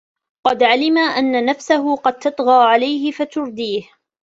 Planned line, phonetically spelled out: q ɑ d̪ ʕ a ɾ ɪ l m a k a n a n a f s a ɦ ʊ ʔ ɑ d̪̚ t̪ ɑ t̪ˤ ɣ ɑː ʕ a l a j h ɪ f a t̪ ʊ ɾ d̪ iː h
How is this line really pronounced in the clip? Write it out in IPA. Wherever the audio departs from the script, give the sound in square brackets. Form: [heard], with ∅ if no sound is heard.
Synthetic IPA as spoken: q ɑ d̪ ʕ a [l] ɪ [∅] m a [ʔ] a [nː] a n a f s a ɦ ʊ [q] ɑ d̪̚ t̪ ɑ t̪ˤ ɣ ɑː ʕ a l a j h ɪ f a t̪ ʊ ɾ d̪ iː h

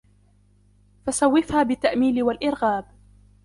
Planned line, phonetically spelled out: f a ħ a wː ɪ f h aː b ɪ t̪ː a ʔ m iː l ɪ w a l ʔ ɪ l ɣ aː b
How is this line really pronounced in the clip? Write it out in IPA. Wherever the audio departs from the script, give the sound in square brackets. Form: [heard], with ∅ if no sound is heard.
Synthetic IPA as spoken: f a [s] a wː ɪ f h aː b ɪ t̪ː a ʔ m iː l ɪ w a l ʔ ɪ [ɾ] ɣ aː b

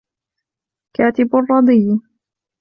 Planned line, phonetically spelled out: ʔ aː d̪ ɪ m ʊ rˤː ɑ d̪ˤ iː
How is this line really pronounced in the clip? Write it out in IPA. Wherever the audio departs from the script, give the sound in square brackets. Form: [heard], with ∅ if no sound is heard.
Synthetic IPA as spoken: [k] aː [t̪] ɪ [b] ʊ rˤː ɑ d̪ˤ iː

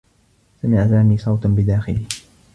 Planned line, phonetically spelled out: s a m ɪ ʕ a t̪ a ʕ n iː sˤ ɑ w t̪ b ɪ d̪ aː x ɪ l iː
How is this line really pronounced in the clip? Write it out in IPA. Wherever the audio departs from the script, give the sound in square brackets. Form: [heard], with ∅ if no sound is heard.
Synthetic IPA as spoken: s a m ɪ ʕ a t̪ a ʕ n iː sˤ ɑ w t̪ b ɪ d̪ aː x ɪ l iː

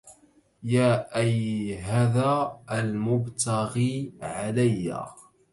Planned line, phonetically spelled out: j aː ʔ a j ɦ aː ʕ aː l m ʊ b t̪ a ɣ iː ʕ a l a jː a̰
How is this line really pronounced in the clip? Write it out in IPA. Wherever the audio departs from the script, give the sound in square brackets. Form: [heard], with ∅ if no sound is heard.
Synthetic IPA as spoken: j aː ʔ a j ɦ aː [ð] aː l m ʊ b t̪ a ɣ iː ʕ a l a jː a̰

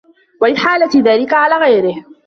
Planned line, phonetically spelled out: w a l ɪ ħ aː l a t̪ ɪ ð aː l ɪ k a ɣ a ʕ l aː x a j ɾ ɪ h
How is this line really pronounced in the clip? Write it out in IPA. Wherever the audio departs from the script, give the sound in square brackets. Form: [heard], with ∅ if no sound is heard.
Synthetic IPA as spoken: w a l ɪ ħ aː l a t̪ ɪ ð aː l ɪ k a [ʕ] a [∅] l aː [ɣ] a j ɾ ɪ h

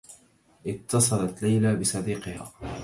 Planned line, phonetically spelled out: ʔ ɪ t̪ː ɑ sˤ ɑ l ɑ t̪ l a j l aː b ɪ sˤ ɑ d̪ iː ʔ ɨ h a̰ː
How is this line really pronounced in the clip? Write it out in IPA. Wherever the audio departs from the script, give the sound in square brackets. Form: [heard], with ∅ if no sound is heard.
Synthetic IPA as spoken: ʔ ɪ t̪ː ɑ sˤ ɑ l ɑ t̪ l a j l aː b ɪ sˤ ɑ d̪ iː [q] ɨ h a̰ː

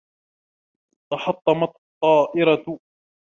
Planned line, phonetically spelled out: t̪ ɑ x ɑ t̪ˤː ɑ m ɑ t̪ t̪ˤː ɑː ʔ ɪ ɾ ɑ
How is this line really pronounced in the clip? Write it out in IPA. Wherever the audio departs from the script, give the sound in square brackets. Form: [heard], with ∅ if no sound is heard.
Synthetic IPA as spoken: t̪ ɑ [ħ] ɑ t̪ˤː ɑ m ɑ t̪ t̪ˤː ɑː ʔ ɪ ɾ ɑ

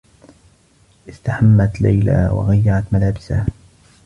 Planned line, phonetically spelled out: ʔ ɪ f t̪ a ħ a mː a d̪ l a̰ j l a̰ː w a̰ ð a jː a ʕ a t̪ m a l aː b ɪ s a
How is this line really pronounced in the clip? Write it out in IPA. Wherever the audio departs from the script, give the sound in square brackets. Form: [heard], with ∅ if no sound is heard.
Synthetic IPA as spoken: ʔ ɪ [s] t̪ a ħ a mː a [t̪] l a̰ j l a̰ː w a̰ [ɣ] a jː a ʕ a t̪ m a l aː b ɪ s a

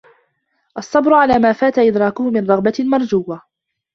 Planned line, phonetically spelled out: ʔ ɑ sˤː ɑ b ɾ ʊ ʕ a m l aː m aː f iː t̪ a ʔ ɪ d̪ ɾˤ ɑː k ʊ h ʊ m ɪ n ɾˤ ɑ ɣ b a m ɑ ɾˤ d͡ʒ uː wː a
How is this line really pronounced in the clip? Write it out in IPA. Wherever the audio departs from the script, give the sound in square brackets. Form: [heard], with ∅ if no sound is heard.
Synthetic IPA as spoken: ʔ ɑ sˤː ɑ b ɾ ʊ ʕ a [∅] l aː m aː f [aː] t̪ a ʔ ɪ d̪ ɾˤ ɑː k ʊ h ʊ m ɪ n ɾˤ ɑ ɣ b a m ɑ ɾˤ d͡ʒ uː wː a

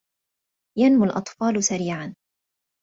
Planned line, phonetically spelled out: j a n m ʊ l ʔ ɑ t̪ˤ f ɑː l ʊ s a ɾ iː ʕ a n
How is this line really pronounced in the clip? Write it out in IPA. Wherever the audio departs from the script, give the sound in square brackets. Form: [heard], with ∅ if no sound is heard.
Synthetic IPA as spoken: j a n m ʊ l ʔ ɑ t̪ˤ f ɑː l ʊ s a ɾ iː ʕ a n

